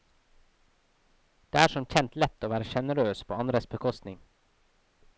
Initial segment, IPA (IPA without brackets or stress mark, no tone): d̪̥